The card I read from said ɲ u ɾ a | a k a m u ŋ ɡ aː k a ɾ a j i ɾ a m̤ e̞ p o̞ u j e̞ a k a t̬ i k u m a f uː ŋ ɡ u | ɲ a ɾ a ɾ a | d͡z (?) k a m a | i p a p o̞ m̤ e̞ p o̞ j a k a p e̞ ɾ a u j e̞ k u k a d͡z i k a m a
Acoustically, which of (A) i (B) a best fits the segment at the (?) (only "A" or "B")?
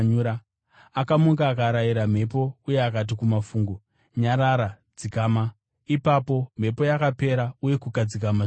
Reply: A